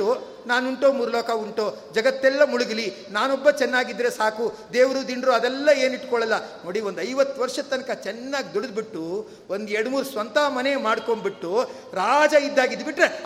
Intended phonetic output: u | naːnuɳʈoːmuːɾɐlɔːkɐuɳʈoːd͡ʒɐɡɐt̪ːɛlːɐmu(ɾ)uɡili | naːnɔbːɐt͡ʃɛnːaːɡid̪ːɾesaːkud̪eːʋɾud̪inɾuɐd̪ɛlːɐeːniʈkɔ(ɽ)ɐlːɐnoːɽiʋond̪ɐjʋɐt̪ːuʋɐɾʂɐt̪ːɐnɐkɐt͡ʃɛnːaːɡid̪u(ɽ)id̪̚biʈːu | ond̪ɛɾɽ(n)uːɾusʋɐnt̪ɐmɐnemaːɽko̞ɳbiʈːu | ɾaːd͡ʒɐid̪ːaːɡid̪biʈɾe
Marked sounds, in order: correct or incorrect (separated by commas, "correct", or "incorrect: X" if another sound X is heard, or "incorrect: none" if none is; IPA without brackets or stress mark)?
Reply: incorrect: ɭ, incorrect: ɭ, correct, incorrect: m